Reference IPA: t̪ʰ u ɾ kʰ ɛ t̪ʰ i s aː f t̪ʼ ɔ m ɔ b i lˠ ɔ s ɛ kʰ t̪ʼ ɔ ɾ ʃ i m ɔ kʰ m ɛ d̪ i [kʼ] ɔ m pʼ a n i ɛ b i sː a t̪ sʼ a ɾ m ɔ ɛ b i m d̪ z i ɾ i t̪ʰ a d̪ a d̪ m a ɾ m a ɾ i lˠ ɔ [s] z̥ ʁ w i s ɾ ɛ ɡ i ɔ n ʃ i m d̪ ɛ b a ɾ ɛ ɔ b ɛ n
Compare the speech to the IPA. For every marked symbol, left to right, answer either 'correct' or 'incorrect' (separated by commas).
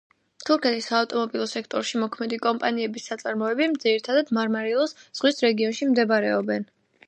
correct, correct